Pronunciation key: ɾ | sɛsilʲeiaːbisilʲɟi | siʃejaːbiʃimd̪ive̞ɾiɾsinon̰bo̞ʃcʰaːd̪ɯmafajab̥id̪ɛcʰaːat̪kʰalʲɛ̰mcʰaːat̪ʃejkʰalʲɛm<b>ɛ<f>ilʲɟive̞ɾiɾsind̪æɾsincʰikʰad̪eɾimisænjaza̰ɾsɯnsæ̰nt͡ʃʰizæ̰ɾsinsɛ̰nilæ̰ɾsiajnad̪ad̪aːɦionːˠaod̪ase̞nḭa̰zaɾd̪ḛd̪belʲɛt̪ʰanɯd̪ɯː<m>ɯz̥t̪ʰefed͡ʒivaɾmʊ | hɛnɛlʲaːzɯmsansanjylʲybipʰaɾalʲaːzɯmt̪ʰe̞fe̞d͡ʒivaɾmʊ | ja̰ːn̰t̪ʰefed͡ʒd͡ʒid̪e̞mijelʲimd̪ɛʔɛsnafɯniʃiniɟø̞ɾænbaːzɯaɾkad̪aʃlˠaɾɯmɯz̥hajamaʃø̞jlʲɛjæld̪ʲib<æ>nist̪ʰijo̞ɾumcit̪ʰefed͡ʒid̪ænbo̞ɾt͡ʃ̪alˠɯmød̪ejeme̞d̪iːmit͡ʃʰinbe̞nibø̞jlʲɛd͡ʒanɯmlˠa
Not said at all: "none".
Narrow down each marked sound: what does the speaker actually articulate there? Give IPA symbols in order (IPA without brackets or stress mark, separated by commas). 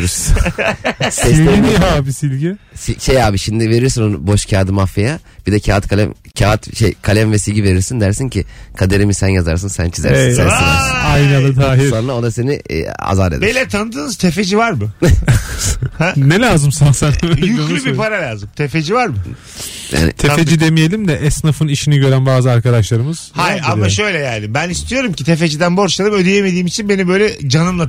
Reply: v, s, n, æ